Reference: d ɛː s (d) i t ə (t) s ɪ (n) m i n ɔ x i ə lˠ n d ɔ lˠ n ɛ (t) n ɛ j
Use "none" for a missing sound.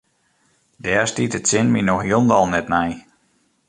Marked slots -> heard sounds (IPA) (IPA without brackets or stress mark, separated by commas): t, t, n, t